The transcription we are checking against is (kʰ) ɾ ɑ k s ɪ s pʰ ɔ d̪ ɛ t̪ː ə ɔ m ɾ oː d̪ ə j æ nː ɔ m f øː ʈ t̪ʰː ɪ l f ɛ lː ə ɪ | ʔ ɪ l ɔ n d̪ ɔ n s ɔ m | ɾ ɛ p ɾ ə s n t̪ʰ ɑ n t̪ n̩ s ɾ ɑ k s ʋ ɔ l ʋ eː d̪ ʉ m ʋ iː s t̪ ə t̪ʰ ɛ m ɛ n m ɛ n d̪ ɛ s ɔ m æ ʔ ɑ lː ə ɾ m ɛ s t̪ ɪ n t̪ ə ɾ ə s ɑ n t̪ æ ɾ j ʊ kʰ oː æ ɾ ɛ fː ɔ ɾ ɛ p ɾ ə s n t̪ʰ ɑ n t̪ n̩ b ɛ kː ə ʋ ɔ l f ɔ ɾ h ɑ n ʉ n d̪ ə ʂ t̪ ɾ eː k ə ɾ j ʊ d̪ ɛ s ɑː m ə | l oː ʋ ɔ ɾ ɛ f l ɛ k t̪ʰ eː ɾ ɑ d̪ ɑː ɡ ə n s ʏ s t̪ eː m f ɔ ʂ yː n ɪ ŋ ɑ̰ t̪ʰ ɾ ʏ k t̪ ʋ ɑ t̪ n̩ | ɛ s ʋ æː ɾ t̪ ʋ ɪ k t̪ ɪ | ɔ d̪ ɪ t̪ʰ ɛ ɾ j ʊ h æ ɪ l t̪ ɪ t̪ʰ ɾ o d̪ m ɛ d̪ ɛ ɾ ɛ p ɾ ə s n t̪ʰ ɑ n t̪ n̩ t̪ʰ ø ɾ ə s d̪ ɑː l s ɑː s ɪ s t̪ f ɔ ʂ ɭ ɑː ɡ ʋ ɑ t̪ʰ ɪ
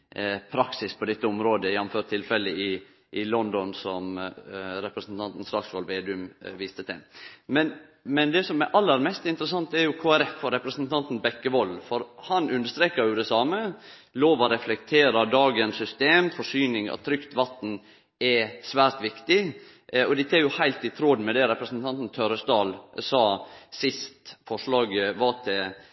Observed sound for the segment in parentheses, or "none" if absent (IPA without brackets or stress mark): pʰ